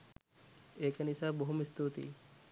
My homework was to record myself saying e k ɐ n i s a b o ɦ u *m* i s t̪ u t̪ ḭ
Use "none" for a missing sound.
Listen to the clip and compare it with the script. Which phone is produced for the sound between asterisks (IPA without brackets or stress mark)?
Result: m